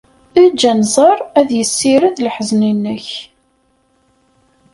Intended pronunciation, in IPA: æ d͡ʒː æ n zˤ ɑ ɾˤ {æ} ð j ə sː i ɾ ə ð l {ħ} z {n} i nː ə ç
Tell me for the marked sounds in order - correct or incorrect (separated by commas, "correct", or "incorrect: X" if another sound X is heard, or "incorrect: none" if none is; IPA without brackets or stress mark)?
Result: correct, correct, correct